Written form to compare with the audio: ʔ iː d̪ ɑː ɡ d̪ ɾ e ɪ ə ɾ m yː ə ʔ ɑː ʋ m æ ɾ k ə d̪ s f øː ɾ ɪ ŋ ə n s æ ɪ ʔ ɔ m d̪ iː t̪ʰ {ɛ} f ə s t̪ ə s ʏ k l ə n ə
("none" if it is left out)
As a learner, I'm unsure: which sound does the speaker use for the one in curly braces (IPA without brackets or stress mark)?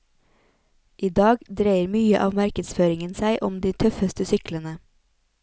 œ